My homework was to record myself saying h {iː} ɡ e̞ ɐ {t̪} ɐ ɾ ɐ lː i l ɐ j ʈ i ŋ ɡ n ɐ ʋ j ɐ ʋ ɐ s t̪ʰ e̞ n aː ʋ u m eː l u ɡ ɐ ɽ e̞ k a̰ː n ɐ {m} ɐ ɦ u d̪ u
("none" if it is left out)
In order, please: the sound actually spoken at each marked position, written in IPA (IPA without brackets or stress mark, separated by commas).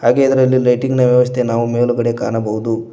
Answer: aː, d̪, b